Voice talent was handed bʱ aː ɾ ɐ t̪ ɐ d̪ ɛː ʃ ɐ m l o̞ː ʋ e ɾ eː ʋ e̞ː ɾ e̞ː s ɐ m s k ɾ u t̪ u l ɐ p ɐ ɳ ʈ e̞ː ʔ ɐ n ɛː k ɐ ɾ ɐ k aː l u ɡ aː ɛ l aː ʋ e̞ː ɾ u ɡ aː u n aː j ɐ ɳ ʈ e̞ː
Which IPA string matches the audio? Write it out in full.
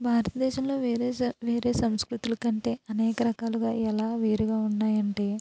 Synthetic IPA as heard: bʱ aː ɾ ɐ t̪ ɐ d̪ ɛː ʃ ɐ m l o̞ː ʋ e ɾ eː ʋ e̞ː ɾ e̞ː s ɐ m s k ɾ u t̪ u l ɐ k ɐ ɳ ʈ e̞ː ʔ ɐ n ɛː k ɐ ɾ ɐ k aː l u ɡ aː ɛ l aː ʋ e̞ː ɾ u ɡ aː u nː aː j ɐ ɳ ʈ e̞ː